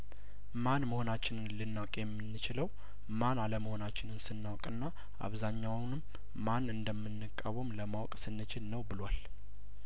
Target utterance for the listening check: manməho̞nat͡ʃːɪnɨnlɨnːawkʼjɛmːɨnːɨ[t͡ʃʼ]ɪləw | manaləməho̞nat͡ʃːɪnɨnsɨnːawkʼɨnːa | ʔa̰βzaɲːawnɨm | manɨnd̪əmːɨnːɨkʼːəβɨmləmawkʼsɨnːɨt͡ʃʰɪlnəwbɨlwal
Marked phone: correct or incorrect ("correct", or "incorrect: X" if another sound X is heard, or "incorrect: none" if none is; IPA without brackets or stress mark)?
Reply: incorrect: t͡ʃ